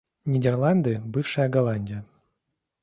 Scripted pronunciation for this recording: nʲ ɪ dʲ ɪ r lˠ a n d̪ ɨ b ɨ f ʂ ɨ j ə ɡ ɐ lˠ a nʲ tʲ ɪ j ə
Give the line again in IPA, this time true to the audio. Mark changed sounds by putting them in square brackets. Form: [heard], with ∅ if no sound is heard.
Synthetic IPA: nʲ ɪ dʲ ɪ r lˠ a n d̪ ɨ b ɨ f ʂ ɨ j ə ɡ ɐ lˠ a nʲ [dʲ] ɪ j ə